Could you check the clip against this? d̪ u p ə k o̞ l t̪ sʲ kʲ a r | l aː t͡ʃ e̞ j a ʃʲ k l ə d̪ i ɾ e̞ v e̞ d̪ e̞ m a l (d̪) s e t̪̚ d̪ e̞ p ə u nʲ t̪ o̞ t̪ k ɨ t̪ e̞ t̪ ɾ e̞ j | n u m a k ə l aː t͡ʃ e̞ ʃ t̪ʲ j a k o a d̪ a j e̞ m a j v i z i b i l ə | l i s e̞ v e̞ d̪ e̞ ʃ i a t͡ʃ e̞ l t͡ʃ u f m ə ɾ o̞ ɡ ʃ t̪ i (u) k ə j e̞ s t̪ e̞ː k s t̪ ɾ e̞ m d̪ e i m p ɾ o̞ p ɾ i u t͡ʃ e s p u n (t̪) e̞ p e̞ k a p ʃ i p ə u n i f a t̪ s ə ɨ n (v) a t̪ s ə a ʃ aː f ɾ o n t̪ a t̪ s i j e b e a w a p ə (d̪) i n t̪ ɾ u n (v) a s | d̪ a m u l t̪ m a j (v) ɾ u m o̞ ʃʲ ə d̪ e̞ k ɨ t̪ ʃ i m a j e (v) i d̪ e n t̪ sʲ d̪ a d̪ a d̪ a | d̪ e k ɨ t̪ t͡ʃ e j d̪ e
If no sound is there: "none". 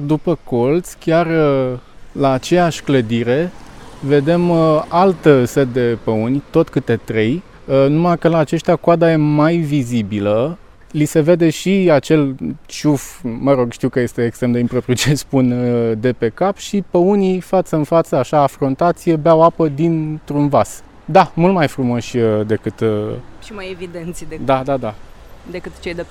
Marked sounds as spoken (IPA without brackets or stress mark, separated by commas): t̪, w, d̪, f, d̪, v, f, v